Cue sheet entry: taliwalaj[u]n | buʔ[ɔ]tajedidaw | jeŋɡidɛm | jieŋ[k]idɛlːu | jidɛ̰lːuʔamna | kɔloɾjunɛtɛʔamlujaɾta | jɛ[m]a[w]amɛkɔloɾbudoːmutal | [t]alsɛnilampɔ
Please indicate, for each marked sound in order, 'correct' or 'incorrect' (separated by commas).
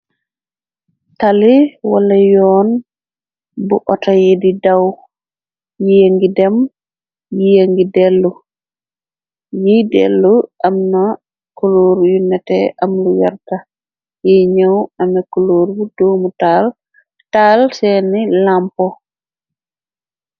incorrect, correct, incorrect, incorrect, correct, correct